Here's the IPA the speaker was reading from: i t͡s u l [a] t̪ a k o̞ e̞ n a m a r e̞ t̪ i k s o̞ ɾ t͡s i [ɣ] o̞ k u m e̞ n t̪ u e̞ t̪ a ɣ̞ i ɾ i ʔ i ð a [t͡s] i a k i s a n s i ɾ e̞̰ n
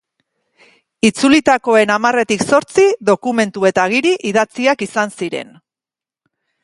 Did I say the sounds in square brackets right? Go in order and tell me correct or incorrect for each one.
incorrect: i, incorrect: ð, correct

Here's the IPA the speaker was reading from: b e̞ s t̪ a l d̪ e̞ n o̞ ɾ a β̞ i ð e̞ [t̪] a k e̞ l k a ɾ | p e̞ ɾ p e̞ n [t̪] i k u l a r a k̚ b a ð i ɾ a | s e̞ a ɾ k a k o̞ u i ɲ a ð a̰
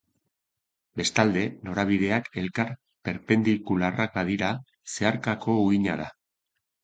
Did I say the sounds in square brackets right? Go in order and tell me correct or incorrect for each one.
incorrect: none, incorrect: d̪

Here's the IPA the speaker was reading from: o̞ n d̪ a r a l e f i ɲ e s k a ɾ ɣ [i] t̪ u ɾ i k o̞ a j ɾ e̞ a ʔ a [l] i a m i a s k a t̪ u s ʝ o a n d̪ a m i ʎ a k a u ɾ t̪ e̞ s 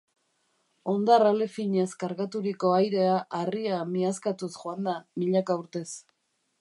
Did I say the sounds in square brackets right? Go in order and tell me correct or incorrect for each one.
incorrect: a, incorrect: r

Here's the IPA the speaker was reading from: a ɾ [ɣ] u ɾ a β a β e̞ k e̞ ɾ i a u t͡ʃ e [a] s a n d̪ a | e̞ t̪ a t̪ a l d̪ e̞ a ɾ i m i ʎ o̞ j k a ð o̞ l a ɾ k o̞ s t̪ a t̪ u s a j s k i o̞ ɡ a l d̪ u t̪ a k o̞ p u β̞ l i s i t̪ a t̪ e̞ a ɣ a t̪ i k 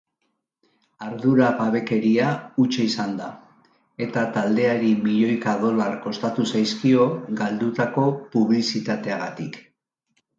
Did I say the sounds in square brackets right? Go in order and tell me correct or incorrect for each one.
incorrect: ð, incorrect: i

